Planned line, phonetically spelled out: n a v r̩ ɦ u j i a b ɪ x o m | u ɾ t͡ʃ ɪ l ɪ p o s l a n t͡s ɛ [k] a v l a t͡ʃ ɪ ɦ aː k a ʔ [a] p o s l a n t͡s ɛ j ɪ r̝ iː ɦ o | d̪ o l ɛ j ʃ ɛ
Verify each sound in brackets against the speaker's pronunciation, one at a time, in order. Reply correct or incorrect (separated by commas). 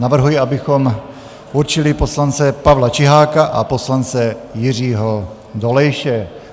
incorrect, correct